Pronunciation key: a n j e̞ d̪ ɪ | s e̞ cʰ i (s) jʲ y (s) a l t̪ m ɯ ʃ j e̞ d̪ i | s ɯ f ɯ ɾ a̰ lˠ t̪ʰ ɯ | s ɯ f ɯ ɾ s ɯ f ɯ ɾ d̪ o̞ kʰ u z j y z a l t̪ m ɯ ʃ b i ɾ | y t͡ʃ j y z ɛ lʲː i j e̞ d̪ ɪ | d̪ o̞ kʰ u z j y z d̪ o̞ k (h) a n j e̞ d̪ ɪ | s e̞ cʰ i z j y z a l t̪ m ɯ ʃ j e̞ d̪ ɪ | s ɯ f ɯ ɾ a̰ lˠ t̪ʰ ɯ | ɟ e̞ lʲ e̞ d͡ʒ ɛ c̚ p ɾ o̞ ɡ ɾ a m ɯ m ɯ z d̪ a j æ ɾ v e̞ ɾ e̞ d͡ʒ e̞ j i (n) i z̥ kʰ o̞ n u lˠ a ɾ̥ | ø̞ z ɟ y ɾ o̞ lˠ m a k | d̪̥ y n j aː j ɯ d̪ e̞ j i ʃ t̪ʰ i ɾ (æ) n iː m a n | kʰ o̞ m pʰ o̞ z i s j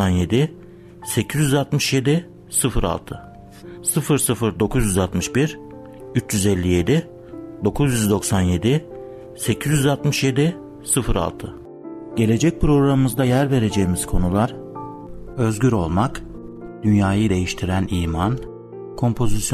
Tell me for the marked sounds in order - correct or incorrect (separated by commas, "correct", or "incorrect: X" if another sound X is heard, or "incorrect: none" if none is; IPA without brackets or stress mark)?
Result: incorrect: z, incorrect: z, incorrect: s, incorrect: m, correct